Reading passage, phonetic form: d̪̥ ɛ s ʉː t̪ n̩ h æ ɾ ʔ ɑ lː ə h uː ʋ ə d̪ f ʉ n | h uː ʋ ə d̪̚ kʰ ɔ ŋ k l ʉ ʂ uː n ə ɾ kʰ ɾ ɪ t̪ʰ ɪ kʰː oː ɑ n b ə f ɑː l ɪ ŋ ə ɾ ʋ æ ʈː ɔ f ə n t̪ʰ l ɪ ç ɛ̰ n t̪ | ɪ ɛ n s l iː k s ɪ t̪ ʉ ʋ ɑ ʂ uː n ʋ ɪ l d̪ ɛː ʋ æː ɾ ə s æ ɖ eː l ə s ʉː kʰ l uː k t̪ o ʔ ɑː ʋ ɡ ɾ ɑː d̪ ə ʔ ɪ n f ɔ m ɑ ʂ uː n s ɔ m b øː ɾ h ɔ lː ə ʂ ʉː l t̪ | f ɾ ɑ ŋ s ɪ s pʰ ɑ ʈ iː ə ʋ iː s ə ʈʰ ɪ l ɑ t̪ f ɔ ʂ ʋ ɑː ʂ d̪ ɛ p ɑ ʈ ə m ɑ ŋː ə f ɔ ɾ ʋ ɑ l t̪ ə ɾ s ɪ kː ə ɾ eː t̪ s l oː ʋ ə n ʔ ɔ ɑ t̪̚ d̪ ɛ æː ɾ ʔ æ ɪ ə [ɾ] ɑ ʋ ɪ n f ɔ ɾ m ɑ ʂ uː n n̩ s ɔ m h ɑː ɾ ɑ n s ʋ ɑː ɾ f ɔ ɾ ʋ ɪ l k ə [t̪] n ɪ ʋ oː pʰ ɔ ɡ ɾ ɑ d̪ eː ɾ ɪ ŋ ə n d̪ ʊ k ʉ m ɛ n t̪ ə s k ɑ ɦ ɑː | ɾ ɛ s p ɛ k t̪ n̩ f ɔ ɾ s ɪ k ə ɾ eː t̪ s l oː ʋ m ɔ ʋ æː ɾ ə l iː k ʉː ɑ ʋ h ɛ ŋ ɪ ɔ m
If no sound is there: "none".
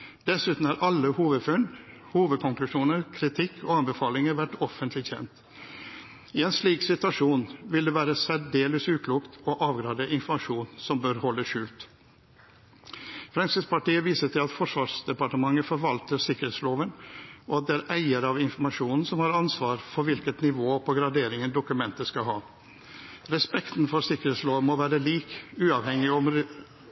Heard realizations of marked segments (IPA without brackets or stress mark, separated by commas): ɾ, t̪